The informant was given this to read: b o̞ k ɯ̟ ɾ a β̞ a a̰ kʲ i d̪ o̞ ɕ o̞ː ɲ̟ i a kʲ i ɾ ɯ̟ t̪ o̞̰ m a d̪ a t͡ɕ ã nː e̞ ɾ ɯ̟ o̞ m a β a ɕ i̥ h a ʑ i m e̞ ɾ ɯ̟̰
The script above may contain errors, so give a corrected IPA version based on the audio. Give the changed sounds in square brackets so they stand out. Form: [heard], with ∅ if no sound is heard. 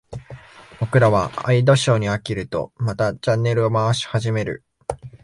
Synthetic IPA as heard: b o̞ k ɯ̟ ɾ a β̞ a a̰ [∅] i d̪ o̞ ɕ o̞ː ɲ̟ i a kʲ i ɾ ɯ̟ t̪ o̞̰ m a [t̪] a t͡ɕ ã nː e̞ ɾ ɯ̟ o̞ m a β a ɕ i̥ h a ʑ i m e̞ ɾ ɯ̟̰